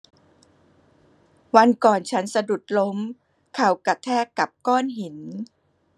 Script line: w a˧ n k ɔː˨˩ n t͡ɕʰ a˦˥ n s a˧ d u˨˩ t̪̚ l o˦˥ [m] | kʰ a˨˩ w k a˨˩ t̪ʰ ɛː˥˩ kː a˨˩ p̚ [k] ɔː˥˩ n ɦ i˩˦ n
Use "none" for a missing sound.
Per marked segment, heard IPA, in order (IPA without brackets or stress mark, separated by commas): m, k